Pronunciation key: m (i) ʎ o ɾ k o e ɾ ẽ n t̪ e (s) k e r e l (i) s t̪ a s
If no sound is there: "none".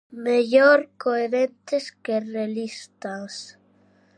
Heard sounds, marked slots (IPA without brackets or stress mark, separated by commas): e, s, i